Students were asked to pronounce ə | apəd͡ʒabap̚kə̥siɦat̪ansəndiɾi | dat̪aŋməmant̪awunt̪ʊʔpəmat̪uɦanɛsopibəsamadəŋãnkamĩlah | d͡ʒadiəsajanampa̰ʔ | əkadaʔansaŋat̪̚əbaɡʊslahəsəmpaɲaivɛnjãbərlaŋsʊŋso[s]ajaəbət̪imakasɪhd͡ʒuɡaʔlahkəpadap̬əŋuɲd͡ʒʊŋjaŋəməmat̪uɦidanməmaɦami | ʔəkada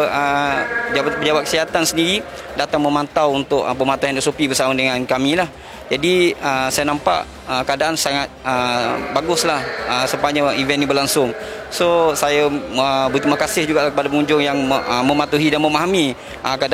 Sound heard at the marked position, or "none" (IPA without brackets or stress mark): s